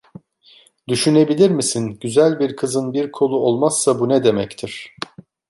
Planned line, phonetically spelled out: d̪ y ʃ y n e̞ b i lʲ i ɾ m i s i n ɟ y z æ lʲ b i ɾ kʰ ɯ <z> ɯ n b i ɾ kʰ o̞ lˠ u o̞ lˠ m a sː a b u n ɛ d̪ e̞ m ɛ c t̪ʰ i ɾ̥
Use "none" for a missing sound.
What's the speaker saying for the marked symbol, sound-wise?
z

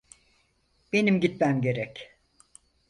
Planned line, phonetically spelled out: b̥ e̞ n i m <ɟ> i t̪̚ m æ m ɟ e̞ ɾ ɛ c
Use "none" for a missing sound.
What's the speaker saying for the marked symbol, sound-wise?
ɟ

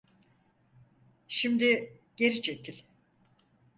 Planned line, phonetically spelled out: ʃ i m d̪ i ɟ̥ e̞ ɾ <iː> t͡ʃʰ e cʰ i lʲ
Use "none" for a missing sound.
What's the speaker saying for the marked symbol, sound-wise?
i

